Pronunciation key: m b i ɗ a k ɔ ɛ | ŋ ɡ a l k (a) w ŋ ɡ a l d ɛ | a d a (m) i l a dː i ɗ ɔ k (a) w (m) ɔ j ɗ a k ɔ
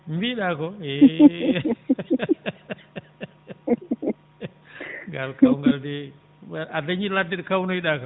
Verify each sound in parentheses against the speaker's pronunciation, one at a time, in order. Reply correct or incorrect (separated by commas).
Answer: correct, incorrect, correct, incorrect